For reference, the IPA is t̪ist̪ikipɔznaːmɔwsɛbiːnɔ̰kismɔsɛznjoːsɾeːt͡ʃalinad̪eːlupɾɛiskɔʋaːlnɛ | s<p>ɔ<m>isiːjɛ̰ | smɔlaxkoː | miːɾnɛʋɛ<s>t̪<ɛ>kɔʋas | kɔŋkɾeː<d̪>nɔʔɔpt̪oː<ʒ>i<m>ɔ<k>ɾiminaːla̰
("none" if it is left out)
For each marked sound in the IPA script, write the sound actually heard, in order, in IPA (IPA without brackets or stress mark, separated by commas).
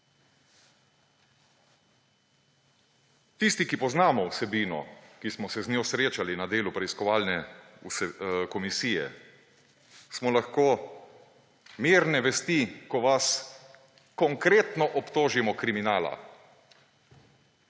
k, m, s, i, t̪, ʒ, m, k